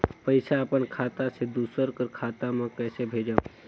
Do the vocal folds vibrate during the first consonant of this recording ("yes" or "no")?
no